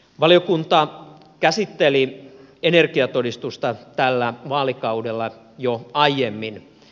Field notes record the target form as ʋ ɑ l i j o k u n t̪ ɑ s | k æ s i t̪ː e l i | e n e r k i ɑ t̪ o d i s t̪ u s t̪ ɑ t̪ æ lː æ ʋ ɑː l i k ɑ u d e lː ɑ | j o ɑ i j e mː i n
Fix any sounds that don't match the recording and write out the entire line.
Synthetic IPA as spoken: ʋ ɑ l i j o k u n t̪ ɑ | k æ s i t̪ː e l i | e n e r k i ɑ t̪ o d i s t̪ u s t̪ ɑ t̪ æ lː æ ʋ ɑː l i k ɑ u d e lː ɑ | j o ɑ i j e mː i n

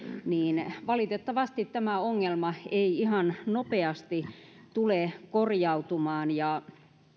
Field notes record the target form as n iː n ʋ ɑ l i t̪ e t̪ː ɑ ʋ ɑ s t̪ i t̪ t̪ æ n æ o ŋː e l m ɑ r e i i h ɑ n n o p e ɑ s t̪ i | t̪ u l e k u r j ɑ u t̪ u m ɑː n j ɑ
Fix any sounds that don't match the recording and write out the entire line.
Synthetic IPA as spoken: n iː n ʋ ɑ l i t̪ e t̪ː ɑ ʋ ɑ s t̪ i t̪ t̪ æ m æ o ŋː e l m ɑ e i i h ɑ n n o p e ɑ s t̪ i | t̪ u l e k o r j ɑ u t̪ u m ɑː n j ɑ

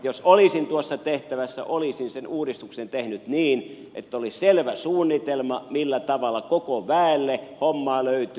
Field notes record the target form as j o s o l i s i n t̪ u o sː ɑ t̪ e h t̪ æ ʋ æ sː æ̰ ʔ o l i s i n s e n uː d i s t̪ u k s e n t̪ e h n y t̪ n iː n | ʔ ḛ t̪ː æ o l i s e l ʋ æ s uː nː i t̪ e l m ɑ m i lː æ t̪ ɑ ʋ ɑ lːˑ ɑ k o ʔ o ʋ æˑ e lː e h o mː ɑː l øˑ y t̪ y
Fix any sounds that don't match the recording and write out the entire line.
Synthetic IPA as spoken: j o s o l i s i n t̪ u o sː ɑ t̪ e h t̪ æ ʋ æ sː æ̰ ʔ o l i s i n s e n uː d i s t̪ u k s e n t̪ e h n y t̪ n iː n | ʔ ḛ t̪ː æ o l i s e l ʋ æ s uː nː i t̪ e l m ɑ m i lː æ t̪ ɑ ʋ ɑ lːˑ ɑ k o k o ʋ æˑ e lː e h o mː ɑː l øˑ y t̪ y

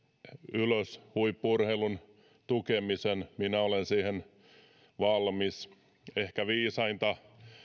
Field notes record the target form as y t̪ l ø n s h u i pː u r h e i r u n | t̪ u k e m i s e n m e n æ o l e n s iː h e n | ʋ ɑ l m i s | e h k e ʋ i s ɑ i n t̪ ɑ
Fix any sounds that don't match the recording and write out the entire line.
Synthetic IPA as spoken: y l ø s h u i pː u r h e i l u n | t̪ u k e m i s e n m i n æ o l e n s iː h e n | ʋ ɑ l m i s | e h k æ ʋ iː s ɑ i n t̪ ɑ

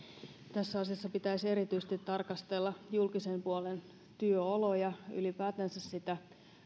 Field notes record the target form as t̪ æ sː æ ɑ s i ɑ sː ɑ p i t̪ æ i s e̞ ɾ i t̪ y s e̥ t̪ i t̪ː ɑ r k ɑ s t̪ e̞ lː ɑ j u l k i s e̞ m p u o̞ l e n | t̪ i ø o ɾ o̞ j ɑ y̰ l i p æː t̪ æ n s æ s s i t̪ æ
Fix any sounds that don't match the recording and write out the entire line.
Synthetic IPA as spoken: t̪ æ sː æ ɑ s i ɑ sː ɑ p i t̪ æ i s e̞ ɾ i t̪ y s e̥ t̪ i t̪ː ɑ r k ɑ s t̪ e̞ lː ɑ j u l k i s e̞ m p u o̞ l e n | t̪ y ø o l o̞ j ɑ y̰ l i p æː t̪ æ n s æ s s i t̪ æ

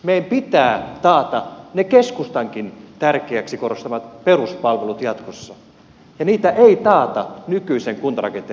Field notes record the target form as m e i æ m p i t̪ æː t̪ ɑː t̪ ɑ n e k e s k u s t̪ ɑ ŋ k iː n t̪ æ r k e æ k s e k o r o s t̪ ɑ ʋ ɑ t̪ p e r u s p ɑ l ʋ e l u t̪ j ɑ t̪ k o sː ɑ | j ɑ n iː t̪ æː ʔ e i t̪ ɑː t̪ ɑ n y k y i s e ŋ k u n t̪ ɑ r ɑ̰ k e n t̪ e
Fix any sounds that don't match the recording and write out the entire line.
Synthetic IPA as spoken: m e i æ m p i t̪ æː t̪ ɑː t̪ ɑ n e k e s k u s t̪ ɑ ŋ k i n t̪ æ r k e æ k s i k o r o s t̪ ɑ ʋ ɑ t̪ p e r u s p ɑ l ʋ e l u t̪ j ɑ t̪ k o sː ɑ | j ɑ n iː t̪ æ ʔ e i t̪ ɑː t̪ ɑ n y k y i s e ŋ k u n t̪ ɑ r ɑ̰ k e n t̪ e

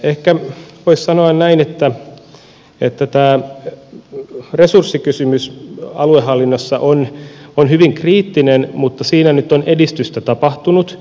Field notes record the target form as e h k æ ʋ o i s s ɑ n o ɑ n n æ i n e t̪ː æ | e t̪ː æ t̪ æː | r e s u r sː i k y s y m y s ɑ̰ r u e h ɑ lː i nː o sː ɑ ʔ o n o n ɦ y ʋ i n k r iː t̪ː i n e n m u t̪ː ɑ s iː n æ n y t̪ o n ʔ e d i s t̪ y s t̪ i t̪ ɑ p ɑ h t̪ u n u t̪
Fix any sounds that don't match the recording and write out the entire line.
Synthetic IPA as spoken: e h k æ ʋ o i s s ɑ n o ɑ n n æ i n e t̪ː æ | e t̪ː æ t̪ æː | r e s u r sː i k y s y m y s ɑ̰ l u e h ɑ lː i nː o sː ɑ ʔ o n o n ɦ y ʋ i ŋ k r iː t̪ː i n e n m u t̪ː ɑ s iː n æ n y t̪ o n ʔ e d i s t̪ y s t̪ æ t̪ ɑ p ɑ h t̪ u n u t̪

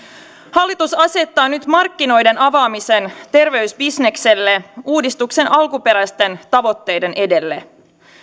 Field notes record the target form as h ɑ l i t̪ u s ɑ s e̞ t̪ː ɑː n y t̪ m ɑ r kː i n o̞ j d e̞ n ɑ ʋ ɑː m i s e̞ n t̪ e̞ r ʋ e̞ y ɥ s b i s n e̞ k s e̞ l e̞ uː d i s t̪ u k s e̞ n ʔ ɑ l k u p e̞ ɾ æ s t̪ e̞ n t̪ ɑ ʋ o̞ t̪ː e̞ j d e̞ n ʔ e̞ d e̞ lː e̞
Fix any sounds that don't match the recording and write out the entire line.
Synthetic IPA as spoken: h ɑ lː i t̪ u s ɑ s e̞ t̪ː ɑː n y t̪ m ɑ r kː i n o̞ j d e̞ n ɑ ʋ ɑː m i s e̞ n t̪ e̞ r ʋ e̞ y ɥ s b i s n e̞ k s e̞ lː e̞ uː d i s t̪ u k s e̞ n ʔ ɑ l k u p e̞ ɾ æ s t̪ e̞ n t̪ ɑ ʋ o̞ t̪ː e̞ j d e̞ n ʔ e̞ d e̞ lː e̞

